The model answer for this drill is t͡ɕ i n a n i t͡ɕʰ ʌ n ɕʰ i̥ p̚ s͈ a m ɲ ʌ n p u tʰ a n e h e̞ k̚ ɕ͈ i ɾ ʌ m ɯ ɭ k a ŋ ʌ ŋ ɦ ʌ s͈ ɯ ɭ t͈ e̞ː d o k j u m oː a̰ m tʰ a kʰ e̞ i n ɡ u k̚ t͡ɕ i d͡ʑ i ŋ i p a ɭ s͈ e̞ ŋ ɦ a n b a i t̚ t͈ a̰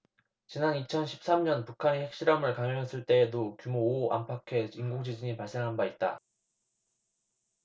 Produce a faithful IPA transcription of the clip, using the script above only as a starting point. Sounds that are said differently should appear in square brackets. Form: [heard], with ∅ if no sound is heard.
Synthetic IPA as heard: t͡ɕ i n a n i t͡ɕʰ ʌ n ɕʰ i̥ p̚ s͈ a m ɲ ʌ n p u [kʰ] a n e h e̞ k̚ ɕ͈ i ɾ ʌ m ɯ ɭ k a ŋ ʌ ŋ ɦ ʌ s͈ ɯ ɭ t͈ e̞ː d o k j u m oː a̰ m [pʰ] a kʰ e̞ i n ɡ u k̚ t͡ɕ i d͡ʑ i [ɲ] i p a ɭ s͈ e̞ ŋ ɦ a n b a i t̚ t͈ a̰